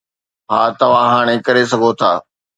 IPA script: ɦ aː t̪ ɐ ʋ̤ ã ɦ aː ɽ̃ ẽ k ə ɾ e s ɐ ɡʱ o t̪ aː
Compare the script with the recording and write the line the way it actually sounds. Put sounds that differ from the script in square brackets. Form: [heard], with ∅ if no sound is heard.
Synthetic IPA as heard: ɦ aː t̪ ɐ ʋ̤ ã ɦ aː ɽ̃ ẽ k [ɐ] ɾ e s ɐ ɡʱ o [t̪ʰ] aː

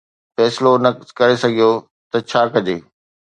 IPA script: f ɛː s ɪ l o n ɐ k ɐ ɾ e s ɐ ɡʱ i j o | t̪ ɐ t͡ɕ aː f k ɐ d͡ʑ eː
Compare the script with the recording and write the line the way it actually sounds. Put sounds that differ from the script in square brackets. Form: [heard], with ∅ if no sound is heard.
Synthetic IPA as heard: f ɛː s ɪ l o n ɐ k ɐ ɾ e s ɐ ɡʱ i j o | t̪ ɐ [t͡ɕʰ] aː [∅] k ɐ d͡ʑ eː

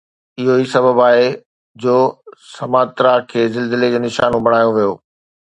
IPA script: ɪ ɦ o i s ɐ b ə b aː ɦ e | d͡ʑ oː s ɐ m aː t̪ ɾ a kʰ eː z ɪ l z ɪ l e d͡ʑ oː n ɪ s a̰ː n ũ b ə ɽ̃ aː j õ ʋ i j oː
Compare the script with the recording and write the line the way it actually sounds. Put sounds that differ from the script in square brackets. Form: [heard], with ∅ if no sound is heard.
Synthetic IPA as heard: ɪ ɦ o i s ɐ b ə b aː ɦ e | d͡ʑ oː s ɐ m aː t̪ ɾ a kʰ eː z ɪ l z ɪ l e d͡ʑ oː n ɪ [ʃ] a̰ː n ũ b [ɐ] ɽ̃ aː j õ ʋ i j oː

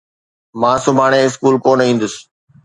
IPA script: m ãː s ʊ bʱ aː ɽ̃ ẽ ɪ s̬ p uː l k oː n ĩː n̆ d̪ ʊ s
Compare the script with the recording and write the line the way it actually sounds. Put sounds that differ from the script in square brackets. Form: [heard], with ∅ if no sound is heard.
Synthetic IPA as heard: m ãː s ʊ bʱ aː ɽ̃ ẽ ɪ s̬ [k] uː l k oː n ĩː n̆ d̪ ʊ s

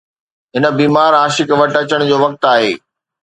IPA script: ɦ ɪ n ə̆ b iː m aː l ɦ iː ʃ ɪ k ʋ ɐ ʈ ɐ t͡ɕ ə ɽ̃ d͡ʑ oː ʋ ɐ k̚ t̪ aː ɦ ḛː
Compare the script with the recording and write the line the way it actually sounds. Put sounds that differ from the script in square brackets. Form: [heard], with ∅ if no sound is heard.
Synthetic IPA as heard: ɦ ɪ n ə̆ b iː m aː [ɾ] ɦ [aː] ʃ ɪ k ʋ ɐ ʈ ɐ t͡ɕ ə ɽ̃ d͡ʑ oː ʋ ɐ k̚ t̪ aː ɦ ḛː

